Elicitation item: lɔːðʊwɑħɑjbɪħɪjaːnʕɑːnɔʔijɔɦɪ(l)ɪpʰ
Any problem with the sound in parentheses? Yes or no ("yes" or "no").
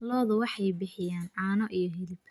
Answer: no